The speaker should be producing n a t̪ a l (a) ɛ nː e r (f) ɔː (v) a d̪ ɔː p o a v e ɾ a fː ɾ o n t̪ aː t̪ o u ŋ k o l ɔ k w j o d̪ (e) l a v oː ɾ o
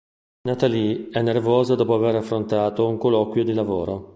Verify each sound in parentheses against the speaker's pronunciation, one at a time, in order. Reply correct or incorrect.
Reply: incorrect: i, incorrect: v, incorrect: z, incorrect: i

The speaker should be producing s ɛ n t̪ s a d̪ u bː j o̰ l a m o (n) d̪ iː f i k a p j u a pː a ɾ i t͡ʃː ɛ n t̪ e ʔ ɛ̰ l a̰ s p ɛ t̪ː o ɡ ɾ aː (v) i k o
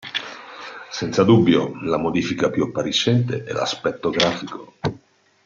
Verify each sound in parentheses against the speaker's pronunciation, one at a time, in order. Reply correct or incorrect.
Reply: incorrect: none, incorrect: f

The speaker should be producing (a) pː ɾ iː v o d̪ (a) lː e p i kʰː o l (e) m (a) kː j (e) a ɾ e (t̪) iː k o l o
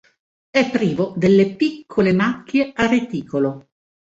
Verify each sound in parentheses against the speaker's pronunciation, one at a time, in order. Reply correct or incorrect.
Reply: incorrect: ɛ, incorrect: e, correct, correct, correct, correct

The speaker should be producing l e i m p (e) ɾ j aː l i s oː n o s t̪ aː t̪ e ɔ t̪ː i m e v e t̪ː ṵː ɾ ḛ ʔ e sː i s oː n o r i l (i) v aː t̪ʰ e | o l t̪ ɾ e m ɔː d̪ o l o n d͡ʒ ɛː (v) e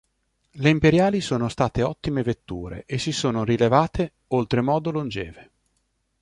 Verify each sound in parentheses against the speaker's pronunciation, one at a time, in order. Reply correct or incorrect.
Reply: correct, incorrect: e, correct

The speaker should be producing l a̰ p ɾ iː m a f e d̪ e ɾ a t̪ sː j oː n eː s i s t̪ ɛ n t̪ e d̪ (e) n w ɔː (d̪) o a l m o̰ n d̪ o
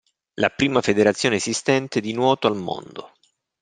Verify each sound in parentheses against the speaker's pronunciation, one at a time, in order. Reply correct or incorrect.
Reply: incorrect: i, incorrect: t̪

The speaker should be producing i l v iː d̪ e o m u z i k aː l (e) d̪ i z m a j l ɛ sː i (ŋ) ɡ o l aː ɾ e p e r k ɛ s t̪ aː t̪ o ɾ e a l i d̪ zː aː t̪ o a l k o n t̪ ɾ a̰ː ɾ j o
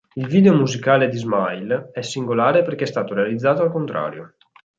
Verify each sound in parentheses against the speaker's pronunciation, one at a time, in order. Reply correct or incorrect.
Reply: correct, correct

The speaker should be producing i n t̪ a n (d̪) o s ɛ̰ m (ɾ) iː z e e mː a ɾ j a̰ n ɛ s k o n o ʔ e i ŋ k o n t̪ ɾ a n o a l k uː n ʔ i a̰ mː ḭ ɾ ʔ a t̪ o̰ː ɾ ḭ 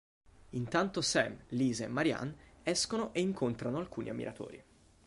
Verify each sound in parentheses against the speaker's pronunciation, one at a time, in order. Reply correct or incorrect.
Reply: incorrect: t̪, incorrect: l

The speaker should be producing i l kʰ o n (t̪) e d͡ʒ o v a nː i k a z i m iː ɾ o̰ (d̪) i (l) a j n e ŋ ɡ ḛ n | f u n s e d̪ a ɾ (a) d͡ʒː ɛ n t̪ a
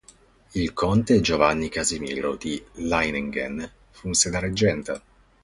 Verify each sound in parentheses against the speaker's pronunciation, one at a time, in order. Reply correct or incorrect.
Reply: correct, correct, correct, incorrect: e

